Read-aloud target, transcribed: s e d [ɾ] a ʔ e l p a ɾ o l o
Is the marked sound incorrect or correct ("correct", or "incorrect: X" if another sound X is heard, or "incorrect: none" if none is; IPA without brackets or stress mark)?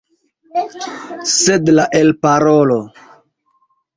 incorrect: l